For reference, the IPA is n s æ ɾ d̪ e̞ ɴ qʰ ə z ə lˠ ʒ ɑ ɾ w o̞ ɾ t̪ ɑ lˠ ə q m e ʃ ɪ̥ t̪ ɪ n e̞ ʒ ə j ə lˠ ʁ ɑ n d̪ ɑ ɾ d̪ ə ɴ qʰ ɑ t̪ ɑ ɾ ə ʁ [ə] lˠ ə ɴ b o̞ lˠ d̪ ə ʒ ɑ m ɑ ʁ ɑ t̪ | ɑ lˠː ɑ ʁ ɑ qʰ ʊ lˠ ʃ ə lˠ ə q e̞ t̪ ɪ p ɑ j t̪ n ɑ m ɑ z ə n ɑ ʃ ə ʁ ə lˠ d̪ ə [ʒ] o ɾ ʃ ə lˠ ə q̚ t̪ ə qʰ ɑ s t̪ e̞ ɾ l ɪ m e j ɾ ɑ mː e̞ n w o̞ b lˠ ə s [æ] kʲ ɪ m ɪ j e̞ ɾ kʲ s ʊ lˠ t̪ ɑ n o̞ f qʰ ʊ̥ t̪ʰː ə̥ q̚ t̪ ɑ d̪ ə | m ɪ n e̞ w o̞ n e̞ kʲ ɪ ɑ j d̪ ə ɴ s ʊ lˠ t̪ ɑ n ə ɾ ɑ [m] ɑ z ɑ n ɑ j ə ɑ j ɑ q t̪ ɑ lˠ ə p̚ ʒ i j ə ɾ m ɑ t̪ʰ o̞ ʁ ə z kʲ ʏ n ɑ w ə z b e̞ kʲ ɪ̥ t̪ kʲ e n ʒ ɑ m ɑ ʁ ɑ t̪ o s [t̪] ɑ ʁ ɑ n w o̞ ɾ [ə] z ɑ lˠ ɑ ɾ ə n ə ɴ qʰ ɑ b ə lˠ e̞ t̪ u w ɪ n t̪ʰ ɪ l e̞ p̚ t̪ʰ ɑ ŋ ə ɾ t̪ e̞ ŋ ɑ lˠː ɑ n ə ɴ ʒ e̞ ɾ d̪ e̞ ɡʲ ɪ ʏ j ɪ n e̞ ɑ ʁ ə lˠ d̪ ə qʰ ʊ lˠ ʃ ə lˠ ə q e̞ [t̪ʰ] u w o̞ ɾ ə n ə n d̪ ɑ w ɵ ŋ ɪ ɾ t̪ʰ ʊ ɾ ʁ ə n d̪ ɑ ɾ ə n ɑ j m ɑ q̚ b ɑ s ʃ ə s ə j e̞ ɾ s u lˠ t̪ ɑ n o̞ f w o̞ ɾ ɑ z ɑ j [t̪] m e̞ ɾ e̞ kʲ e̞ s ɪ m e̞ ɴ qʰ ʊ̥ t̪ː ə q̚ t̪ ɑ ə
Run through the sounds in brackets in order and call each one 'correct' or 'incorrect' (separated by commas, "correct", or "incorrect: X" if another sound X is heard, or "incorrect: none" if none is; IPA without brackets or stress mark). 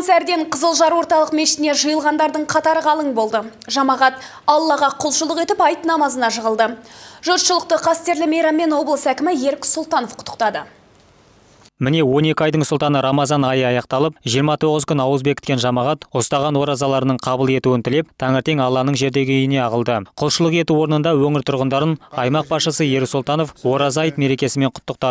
incorrect: ɑ, correct, correct, correct, correct, incorrect: ɑ, incorrect: t̪, correct